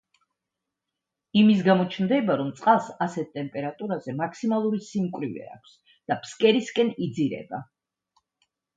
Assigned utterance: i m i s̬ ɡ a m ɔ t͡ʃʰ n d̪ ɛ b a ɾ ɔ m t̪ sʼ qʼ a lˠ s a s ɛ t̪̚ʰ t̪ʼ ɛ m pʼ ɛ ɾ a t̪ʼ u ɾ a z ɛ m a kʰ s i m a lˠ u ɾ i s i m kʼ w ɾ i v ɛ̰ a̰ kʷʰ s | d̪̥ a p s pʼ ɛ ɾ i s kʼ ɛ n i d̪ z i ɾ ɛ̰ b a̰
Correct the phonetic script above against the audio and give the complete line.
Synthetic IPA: i m i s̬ ɡ a m ɔ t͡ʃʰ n d̪ ɛ b a ɾ ɔ m t̪ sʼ qʼ a lˠ s a s ɛ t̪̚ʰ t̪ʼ ɛ m pʼ ɛ ɾ a t̪ʼ u ɾ a z ɛ m a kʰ s i m a lˠ u ɾ i s i m kʼ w ɾ i v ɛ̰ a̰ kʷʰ s | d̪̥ a p s kʼ ɛ ɾ i s kʼ ɛ n i d̪ z i ɾ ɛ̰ b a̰